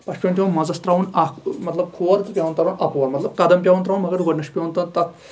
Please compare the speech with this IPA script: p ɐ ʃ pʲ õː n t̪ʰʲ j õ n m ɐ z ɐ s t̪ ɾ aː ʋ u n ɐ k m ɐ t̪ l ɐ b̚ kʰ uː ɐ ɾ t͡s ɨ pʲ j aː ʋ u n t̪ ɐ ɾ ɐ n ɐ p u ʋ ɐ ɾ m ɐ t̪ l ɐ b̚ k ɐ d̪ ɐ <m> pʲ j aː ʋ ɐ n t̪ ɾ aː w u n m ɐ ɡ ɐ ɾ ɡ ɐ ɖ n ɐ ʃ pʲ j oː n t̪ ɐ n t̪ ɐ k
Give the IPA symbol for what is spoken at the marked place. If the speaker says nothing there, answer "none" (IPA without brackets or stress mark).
m